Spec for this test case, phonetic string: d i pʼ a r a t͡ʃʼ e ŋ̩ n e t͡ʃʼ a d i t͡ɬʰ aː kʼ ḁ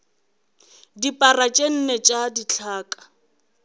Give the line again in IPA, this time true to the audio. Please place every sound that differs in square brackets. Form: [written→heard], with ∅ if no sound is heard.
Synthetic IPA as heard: d i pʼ a r a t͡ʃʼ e [ŋ̩→n̩] n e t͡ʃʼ a d i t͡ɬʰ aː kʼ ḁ